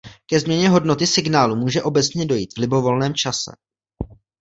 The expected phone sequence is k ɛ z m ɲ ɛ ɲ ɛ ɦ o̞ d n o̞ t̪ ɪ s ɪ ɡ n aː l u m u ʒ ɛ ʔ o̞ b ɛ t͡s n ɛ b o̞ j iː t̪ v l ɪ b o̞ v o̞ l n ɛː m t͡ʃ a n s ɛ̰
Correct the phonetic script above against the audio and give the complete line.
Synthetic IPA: k ɛ z m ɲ ɛ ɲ ɛ ɦ o̞ d n o̞ t̪ ɪ s ɪ ɡ n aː l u m uː ʒ ɛ ʔ o̞ b ɛ t͡s ɲ ɛ d o̞ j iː t̪ v l ɪ b o̞ v o̞ l n ɛː m t͡ʃ a s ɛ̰